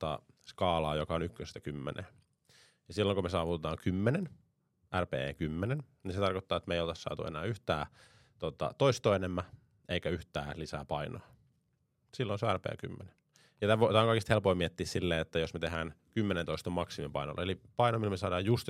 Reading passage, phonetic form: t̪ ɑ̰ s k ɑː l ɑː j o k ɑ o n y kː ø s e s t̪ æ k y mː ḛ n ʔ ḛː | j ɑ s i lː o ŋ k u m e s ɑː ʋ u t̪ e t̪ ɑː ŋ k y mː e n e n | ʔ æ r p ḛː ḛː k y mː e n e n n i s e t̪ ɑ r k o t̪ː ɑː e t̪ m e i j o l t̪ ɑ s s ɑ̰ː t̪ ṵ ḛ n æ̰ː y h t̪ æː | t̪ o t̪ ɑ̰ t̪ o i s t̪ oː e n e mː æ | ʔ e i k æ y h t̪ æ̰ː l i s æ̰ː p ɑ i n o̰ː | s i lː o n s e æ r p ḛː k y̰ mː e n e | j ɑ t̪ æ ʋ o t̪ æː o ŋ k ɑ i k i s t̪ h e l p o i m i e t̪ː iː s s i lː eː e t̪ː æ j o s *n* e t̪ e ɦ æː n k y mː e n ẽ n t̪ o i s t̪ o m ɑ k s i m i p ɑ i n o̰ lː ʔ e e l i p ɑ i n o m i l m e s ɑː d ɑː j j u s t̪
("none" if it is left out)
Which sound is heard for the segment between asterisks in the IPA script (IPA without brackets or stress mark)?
m